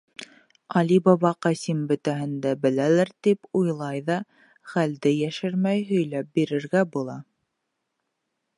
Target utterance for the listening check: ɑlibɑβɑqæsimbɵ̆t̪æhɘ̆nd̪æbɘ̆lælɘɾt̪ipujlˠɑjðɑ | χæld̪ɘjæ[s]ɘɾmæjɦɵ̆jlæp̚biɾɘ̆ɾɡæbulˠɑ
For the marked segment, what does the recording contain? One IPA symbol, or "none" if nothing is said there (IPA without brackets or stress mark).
ʃ